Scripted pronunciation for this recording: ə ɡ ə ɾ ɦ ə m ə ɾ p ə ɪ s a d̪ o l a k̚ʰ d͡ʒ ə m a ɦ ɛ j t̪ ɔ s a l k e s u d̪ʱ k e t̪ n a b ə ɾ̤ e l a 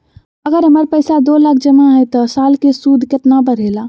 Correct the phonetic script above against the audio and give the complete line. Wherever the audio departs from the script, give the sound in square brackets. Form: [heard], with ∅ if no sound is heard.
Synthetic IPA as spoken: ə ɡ ə ɾ ɦ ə m ə ɾ p ə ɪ s a d̪ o l a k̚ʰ d͡ʒ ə m a ɦ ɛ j t̪ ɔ s a l k e s u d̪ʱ k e t̪ n a b ə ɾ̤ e l a